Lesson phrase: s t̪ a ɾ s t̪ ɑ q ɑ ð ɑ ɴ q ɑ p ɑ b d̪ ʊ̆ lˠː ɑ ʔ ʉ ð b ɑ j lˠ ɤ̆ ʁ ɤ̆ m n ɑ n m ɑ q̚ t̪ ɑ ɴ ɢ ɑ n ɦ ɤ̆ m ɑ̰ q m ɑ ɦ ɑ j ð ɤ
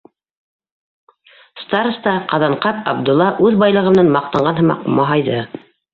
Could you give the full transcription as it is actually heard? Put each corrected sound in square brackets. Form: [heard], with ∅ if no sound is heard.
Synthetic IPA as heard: s t̪ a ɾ s t̪ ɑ q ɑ ð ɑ ɴ q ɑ p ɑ b d̪ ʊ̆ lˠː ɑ ʔ ʉ ð b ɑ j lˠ ɤ̆ ʁ ɤ̆ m n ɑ n m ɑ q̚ t̪ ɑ ɴ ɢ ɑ n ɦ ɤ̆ m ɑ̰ q m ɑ ɦ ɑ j ð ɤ